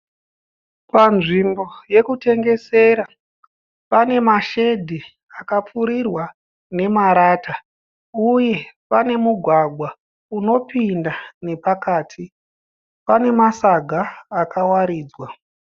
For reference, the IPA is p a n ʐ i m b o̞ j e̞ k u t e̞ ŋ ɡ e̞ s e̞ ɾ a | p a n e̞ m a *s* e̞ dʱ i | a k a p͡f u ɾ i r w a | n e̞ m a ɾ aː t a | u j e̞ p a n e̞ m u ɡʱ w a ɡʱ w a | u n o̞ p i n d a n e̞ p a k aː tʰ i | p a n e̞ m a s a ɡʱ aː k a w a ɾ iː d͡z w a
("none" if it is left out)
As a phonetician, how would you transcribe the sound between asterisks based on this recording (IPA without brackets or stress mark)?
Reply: ʃ